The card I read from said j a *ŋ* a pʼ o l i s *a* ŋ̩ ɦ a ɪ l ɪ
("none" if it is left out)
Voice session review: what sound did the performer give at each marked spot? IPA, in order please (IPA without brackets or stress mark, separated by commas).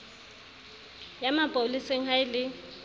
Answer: m, e